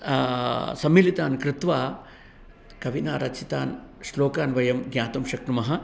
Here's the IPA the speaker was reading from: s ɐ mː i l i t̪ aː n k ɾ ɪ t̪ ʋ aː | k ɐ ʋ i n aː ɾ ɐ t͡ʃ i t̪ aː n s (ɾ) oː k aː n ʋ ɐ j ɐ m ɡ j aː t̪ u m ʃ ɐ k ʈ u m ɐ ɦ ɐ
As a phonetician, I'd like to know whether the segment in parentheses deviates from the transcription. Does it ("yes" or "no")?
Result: yes